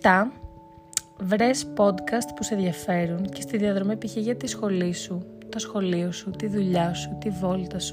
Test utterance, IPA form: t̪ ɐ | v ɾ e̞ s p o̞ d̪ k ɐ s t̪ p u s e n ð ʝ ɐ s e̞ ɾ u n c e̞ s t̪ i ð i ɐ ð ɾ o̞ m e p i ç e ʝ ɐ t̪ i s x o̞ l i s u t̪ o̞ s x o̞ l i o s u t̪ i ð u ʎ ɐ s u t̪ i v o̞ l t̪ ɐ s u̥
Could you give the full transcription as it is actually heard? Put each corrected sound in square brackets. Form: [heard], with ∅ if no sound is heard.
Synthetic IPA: t̪ ɐ | v ɾ e̞ s p o̞ d̪ k ɐ s t̪ p u s e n ð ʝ ɐ [f] e̞ ɾ u n c e̞ s t̪ i ð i ɐ ð ɾ o̞ m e p i ç e ʝ ɐ t̪ i s x o̞ l i s u t̪ o̞ s x o̞ l i o s u t̪ i ð u ʎ ɐ s u t̪ i v o̞ l t̪ ɐ s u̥